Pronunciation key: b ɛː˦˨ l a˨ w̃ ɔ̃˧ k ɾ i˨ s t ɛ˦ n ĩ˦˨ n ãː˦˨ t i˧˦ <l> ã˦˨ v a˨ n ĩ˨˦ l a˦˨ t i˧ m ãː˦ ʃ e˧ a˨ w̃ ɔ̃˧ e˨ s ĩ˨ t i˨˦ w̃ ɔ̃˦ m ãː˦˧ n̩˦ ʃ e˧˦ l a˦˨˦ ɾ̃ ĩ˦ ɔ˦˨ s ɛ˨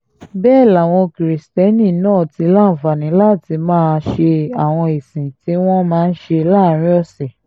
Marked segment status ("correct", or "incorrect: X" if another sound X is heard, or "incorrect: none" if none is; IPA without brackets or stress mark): correct